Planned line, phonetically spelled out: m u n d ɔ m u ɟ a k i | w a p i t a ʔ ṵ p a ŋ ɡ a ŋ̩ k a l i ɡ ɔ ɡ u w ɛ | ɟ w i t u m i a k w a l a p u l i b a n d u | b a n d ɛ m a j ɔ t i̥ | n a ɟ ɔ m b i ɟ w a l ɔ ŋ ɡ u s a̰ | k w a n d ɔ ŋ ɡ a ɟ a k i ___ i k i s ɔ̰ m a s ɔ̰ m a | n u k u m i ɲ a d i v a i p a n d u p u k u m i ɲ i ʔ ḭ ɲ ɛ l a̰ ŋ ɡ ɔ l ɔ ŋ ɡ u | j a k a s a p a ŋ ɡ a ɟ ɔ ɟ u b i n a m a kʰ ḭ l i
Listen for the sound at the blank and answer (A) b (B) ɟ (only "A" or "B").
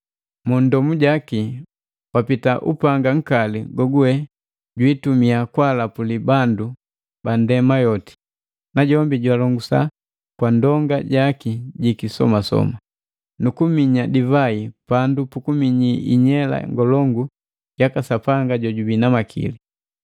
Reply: B